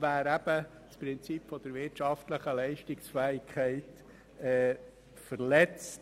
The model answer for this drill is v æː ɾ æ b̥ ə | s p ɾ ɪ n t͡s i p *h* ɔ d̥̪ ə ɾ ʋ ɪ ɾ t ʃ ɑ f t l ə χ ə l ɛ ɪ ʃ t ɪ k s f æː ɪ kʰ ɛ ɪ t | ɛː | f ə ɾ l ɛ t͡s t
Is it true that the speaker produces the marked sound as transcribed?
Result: no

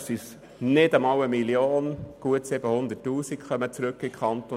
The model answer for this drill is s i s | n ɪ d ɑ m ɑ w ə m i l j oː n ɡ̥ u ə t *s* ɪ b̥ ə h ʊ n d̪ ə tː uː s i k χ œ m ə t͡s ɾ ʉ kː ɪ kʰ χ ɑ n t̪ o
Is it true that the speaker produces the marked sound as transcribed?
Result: yes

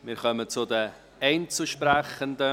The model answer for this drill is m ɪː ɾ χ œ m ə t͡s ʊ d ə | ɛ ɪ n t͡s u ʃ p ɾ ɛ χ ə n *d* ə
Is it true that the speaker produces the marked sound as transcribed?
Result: yes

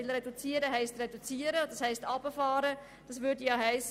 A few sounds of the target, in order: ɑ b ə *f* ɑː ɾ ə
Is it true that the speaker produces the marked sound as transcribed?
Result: yes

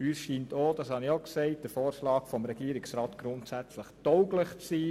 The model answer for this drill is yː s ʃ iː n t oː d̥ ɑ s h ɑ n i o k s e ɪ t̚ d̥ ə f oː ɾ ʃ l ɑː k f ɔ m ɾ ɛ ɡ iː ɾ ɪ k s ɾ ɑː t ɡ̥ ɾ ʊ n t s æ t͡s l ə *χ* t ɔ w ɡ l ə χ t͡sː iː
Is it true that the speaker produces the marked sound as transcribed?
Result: yes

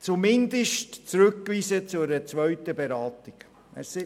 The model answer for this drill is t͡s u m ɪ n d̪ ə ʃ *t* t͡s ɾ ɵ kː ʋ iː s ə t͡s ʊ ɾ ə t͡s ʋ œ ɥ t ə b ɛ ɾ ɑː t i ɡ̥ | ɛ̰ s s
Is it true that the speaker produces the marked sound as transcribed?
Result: yes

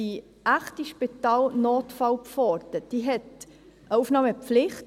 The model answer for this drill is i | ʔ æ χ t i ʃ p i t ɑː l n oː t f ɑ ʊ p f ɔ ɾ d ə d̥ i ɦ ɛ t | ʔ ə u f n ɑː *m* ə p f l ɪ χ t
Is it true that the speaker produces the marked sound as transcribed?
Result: yes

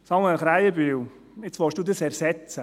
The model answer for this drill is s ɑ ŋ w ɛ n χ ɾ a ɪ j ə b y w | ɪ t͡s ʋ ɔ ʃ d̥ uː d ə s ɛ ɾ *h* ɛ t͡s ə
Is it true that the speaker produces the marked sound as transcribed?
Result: no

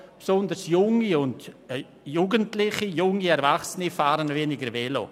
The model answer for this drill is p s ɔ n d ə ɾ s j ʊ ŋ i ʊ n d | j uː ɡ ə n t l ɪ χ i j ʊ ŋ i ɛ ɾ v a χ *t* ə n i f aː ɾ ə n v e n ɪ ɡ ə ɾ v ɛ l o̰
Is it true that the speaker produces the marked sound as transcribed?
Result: no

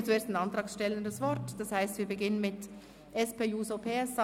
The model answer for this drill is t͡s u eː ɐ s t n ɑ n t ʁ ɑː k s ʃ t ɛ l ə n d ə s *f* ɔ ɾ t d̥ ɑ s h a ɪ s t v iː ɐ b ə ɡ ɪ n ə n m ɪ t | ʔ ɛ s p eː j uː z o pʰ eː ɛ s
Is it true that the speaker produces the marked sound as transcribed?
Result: no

